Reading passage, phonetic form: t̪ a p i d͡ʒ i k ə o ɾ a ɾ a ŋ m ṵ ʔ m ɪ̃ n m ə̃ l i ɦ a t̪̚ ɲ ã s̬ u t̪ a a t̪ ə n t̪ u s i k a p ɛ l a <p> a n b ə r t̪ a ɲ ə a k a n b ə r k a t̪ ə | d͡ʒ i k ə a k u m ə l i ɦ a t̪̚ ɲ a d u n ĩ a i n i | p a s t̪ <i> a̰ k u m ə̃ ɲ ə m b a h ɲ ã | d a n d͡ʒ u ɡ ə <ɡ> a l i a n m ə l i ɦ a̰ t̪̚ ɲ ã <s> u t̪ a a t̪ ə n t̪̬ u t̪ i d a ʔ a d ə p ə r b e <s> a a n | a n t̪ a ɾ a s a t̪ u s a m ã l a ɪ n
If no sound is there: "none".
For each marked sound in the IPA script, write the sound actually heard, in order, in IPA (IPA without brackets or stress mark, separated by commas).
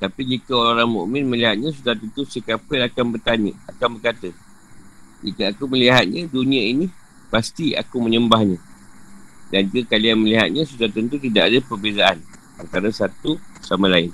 k, i, k, s, z